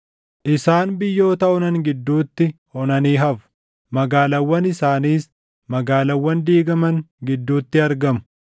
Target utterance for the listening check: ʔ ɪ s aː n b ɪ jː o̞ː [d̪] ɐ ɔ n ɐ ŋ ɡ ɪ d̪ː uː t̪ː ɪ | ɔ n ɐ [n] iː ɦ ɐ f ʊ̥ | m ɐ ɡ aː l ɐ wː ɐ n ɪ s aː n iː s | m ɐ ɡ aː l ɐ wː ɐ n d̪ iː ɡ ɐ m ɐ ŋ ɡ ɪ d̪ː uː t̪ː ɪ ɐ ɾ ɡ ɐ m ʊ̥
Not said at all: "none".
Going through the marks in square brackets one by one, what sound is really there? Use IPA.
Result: t̪, n

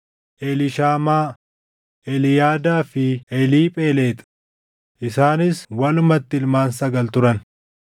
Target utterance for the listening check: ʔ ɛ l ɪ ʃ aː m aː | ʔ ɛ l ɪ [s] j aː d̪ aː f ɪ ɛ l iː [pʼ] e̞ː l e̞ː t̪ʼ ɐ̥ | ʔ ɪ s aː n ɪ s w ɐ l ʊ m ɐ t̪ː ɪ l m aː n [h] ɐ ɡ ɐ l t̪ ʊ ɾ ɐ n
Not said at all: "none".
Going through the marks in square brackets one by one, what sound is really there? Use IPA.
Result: none, pʼ, s

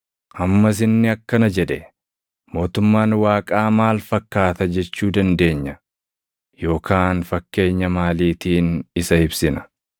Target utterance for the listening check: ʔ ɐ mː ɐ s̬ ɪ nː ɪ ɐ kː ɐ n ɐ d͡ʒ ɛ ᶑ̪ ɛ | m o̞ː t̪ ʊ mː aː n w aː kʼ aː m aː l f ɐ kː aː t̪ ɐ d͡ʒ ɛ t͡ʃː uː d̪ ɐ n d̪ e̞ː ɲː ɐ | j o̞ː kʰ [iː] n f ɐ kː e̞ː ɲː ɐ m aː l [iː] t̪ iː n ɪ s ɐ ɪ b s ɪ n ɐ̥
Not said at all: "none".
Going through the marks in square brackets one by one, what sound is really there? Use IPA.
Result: aː, iː

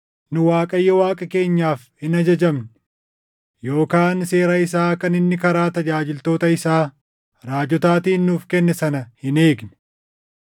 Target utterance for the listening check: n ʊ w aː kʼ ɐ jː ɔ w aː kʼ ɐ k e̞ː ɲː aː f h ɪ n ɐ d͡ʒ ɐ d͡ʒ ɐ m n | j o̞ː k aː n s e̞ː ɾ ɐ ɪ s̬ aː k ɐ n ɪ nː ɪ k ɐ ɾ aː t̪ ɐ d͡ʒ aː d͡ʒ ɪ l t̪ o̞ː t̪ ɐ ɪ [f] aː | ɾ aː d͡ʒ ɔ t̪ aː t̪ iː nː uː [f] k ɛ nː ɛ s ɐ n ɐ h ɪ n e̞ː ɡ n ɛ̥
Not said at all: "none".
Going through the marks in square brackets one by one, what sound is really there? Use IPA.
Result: s, f

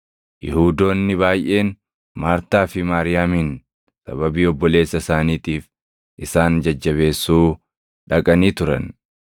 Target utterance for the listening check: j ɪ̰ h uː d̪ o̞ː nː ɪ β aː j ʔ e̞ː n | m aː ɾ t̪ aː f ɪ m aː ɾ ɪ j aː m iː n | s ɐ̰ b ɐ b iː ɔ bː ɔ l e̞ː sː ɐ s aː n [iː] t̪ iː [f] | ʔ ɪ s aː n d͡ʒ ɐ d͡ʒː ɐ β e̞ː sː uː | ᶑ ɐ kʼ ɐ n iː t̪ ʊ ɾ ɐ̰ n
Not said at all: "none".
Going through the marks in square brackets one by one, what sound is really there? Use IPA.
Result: iː, f

